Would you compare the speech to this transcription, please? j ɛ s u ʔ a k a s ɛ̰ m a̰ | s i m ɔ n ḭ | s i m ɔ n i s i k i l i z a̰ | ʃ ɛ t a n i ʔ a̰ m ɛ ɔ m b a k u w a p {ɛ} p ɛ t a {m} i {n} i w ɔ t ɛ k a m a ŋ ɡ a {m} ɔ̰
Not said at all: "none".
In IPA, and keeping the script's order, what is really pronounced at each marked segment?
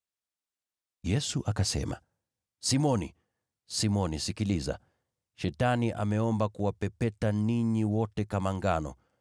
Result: ɛ, n, ɲ, n

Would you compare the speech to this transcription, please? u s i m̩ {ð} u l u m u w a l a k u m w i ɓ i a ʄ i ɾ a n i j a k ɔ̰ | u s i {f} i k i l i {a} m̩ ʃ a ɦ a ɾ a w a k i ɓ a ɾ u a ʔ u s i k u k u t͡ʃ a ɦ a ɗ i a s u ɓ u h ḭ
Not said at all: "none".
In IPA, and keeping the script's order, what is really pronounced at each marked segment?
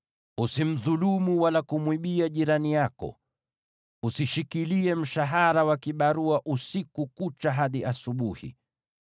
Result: ð, ʃ, ɛ

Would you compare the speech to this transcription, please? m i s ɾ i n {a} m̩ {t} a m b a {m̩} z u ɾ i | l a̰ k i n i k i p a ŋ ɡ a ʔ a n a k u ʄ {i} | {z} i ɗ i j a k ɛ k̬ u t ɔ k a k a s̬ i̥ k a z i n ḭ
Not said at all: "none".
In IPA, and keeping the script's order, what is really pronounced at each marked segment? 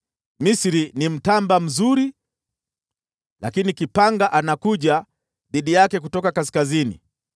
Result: i, t, m̩, a, ð

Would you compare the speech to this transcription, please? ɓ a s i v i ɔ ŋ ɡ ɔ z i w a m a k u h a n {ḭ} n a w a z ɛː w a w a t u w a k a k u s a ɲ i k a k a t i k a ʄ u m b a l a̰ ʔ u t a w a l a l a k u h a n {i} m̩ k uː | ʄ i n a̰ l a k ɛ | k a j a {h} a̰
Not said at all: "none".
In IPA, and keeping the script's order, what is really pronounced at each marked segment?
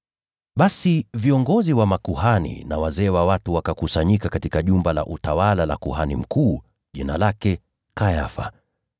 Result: ḭ, i, f

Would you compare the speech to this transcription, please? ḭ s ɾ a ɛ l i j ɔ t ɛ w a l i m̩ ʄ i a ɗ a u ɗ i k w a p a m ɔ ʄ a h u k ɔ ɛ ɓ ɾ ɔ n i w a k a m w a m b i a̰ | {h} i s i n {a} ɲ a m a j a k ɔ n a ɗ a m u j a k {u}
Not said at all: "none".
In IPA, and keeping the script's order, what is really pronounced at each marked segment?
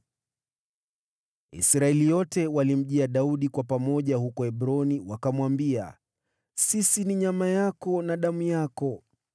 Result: s, i, ɔ

